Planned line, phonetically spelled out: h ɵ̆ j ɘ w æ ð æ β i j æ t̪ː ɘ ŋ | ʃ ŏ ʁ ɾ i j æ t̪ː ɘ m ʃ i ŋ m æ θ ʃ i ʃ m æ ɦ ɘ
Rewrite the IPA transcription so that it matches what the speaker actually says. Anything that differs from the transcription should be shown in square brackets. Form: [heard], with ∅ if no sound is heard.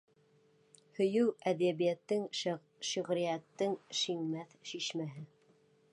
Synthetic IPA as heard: h ɵ̆ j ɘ w æ ð æ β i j æ t̪ː ɘ ŋ | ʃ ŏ ʁ ɾ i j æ t̪ː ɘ [ŋ] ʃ i ŋ m æ θ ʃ i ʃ m æ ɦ ɘ